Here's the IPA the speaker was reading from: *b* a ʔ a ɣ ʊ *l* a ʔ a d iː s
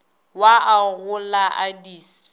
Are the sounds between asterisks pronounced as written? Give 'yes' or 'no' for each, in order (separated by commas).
no, yes